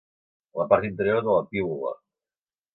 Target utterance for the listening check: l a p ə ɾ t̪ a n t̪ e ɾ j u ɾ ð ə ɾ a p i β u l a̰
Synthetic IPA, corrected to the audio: l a p a ɾ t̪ i n t̪ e ɾ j o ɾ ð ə l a p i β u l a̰